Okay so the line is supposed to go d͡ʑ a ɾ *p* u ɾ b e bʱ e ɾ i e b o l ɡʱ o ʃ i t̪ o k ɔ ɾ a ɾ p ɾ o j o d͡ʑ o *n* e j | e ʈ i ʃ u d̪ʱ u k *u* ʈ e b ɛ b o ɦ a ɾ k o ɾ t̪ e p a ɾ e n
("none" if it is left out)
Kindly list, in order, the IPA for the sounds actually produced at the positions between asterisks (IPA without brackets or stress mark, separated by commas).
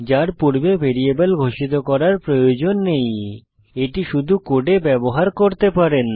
p, nː, o